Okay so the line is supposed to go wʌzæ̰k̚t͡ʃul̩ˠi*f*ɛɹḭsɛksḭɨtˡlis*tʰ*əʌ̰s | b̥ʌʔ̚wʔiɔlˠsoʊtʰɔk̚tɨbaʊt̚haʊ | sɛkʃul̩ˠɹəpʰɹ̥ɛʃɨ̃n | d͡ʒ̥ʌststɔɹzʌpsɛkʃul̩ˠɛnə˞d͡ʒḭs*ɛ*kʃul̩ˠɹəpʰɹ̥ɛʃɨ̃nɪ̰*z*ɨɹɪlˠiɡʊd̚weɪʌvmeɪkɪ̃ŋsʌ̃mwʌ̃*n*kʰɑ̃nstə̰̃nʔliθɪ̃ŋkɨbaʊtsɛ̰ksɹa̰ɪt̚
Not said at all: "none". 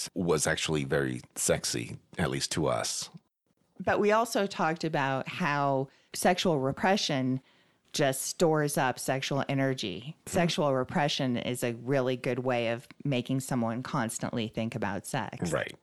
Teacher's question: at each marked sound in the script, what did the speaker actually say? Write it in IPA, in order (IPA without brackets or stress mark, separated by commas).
v, tʰ, ɛ, z, n